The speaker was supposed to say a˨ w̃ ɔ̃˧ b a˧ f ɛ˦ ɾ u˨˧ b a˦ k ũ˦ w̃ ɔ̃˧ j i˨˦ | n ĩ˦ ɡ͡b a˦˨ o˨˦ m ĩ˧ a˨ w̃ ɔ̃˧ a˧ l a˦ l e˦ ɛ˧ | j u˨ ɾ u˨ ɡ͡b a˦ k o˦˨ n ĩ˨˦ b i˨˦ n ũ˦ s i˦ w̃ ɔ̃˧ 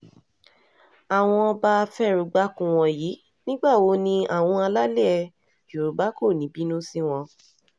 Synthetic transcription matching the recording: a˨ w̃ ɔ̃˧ b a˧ f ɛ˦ ɾ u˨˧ ɡ͡b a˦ k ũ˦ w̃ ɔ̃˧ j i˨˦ | n ĩ˦ ɡ͡b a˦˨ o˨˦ n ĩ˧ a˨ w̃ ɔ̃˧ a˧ l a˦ l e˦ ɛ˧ | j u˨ ɾ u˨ ɡ͡b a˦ k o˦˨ n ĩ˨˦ b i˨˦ n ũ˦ s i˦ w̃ ɔ̃˧